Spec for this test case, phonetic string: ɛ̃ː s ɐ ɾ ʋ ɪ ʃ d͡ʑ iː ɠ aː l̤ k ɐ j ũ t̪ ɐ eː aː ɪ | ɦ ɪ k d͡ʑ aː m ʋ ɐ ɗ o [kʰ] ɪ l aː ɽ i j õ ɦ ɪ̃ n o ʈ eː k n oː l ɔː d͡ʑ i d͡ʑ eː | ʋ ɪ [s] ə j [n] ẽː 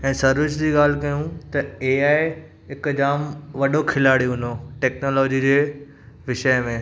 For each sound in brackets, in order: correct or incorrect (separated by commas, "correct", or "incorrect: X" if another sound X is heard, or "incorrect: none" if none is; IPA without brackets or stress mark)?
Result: correct, incorrect: ʃ, incorrect: m